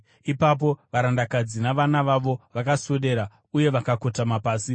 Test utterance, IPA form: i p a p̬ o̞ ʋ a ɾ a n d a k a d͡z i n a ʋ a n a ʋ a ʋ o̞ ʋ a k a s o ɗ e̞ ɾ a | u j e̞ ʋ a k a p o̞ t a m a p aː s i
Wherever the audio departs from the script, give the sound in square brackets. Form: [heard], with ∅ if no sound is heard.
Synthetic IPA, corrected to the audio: i p a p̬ o̞ ʋ a ɾ a n d a k a d͡z i n a ʋ a n a ʋ a ʋ o̞ ʋ a k a s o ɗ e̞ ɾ a | u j e̞ ʋ a k a [k] o̞ t a m a p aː s i

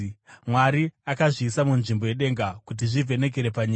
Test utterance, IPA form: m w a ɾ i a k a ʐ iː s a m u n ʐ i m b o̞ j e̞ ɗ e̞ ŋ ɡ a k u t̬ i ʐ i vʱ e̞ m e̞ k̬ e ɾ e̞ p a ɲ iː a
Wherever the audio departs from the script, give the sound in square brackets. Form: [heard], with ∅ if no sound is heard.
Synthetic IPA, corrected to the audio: m w a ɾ i a k a ʐ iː s a m u n ʐ i m b o̞ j e̞ ɗ e̞ ŋ ɡ a k u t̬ i ʐ i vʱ e̞ [n] e̞ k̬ e ɾ e̞ p a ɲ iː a

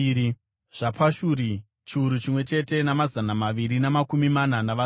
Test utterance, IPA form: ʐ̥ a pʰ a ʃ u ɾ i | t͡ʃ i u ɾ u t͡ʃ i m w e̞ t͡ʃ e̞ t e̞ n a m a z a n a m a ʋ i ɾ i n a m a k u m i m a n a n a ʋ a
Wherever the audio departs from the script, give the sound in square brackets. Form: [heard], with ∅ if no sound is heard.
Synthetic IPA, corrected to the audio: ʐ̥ a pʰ a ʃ u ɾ i | t͡ʃ i u ɾ u t͡ʃ i m w e̞ t͡ʃ e̞ t e̞ n a m a z a n a m a ʋ i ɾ i n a m a k u m i m a n a n a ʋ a

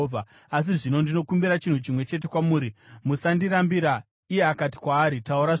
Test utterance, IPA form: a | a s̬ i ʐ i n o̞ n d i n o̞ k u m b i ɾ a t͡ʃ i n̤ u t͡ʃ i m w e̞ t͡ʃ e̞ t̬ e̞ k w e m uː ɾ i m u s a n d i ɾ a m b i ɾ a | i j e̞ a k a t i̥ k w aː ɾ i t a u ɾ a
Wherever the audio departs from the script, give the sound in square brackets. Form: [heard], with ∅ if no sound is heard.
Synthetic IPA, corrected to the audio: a | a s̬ i ʐ i n o̞ n d i n o̞ k u m b i ɾ a t͡ʃ i n̤ u t͡ʃ i m w e̞ t͡ʃ e̞ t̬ e̞ k w [a] m uː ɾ i m u s a n d i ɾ a m b i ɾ a | i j e̞ a k a t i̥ k w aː ɾ i t a u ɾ a

